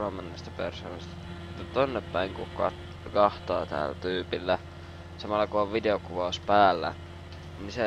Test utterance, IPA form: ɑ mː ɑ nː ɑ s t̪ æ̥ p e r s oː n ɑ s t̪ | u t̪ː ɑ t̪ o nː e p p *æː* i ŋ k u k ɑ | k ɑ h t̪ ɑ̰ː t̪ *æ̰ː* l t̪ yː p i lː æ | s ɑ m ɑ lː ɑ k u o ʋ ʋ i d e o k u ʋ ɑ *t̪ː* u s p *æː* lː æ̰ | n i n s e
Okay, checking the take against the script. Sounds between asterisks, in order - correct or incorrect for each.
incorrect, correct, incorrect, correct

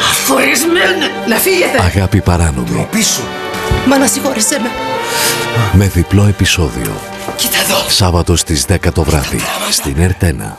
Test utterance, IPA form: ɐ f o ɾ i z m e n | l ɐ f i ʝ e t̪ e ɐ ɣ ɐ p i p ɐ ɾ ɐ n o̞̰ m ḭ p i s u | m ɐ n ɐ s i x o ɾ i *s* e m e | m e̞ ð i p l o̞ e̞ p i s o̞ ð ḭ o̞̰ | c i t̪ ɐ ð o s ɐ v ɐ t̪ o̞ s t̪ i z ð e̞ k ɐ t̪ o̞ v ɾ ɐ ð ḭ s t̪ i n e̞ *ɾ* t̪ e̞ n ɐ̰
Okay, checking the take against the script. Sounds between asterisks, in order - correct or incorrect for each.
correct, correct

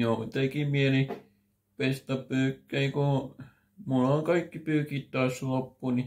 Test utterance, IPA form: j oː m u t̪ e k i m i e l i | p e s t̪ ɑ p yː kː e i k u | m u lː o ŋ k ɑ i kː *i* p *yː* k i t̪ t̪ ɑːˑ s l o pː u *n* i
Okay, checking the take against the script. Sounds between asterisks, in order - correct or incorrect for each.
correct, correct, correct

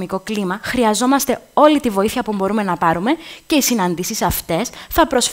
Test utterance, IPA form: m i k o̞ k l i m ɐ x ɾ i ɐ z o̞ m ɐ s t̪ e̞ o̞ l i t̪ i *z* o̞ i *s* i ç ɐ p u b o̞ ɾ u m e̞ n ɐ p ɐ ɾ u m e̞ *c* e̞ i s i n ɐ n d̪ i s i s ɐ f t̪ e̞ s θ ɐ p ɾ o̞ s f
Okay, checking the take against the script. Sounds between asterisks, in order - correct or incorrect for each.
incorrect, incorrect, correct

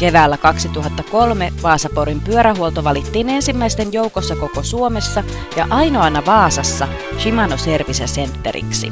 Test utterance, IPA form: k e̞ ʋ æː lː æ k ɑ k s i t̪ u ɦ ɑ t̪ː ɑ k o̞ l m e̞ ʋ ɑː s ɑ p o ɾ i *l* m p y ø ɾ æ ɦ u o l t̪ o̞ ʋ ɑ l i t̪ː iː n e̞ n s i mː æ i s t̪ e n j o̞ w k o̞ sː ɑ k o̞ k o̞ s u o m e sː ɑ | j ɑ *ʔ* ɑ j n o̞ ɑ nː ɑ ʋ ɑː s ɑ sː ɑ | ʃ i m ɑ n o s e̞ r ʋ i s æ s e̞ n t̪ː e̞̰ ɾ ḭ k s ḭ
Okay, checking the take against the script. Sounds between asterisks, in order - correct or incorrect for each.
incorrect, correct

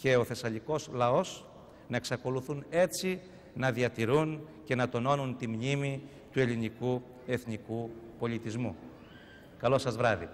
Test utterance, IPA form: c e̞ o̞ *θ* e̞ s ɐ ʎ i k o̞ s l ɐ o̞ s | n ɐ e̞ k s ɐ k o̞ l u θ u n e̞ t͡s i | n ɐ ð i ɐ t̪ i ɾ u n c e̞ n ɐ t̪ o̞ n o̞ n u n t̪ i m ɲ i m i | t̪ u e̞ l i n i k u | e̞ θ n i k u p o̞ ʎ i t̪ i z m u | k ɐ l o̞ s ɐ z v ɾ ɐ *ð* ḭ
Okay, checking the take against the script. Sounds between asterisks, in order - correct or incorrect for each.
correct, correct

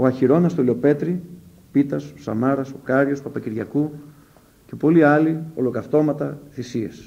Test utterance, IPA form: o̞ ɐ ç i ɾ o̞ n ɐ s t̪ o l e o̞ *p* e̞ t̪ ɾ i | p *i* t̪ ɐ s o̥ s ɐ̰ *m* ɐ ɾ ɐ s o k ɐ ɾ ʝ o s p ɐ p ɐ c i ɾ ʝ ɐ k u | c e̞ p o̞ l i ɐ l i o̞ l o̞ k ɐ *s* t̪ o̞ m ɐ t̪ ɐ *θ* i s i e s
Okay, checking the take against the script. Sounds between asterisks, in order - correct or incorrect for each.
correct, correct, correct, incorrect, correct

